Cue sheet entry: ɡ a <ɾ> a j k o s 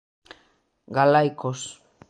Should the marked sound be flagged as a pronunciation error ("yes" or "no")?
yes